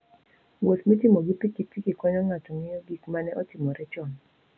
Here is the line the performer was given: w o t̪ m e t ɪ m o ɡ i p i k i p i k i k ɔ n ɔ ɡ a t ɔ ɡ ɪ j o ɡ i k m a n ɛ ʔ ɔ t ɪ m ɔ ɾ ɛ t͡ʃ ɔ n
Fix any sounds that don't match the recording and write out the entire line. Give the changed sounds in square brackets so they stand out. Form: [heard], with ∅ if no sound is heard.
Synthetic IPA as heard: w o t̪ m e t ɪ m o ɡ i p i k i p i k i k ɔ [ɲ] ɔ [ŋ] a t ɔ [ŋ] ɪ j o ɡ i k m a n ɛ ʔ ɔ t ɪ m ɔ ɾ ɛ t͡ʃ ɔ n